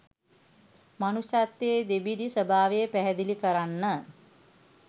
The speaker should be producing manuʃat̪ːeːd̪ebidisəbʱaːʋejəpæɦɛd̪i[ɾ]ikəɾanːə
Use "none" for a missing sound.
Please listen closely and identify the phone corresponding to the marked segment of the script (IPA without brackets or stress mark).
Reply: l